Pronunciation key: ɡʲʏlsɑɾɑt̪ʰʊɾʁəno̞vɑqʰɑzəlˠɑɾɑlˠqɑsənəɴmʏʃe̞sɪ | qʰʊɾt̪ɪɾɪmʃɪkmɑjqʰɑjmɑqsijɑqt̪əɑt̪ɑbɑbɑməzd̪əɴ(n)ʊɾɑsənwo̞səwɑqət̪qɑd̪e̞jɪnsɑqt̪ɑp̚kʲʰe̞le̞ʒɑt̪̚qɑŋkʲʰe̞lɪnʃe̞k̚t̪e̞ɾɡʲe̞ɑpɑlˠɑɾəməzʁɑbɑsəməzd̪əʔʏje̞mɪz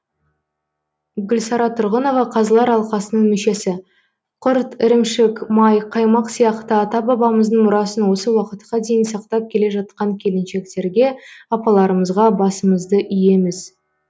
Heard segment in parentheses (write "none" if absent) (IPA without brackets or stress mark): m